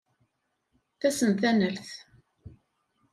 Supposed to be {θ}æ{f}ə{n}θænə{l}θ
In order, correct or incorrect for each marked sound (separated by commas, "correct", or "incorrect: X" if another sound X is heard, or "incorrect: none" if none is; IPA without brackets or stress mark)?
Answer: correct, incorrect: s, correct, correct